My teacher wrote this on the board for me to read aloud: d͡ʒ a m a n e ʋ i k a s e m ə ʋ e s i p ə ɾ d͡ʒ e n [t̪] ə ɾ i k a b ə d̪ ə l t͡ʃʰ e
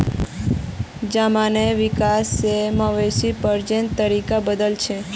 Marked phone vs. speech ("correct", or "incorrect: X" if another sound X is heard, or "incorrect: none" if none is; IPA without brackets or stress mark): correct